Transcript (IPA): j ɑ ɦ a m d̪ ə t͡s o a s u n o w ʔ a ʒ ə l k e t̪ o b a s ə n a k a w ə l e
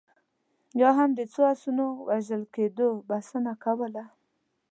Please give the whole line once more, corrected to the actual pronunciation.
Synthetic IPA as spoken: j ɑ ɦ a m d̪ ə t͡s o a s u n o w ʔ a ʒ ə l k e d̪ o b a s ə n a k a w ə l a